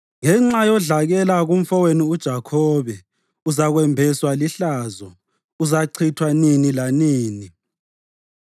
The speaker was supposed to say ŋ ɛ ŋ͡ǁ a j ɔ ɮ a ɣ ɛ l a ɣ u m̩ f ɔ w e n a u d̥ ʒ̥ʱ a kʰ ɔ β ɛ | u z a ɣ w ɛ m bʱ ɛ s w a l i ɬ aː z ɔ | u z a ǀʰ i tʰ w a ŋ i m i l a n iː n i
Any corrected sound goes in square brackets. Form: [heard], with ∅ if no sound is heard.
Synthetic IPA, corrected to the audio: ŋ ɛ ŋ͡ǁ a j ɔ ɮ a ɣ ɛ l a ɣ u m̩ f ɔ w e n [i] u d̥ ʒ̥ʱ a kʰ ɔ β ɛ | u z a ɣ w ɛ m bʱ ɛ s w a l i ɬ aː z ɔ | u z a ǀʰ i tʰ w a [n] i [n] i l a n iː n i